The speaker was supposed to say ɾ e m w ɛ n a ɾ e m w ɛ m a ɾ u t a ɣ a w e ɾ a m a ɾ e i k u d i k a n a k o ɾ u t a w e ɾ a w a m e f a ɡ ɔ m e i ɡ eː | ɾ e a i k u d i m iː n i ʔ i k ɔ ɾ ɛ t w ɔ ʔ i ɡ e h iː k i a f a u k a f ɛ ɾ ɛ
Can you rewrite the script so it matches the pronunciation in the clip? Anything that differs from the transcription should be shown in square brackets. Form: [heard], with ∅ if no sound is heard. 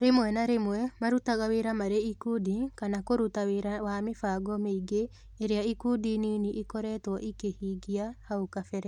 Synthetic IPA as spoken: ɾ e m w ɛ n a ɾ e m w ɛ m a ɾ u t a ɣ a w e ɾ a m a ɾ e i k u d i k a n a k o ɾ u t a w e ɾ a w a m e f a ɡ ɔ m e i ɡ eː | ɾ e a i k u d i [n] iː n i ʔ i k ɔ ɾ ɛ t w ɔ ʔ i [k] e h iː [ɡ] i a [h] a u k a f ɛ ɾ ɛ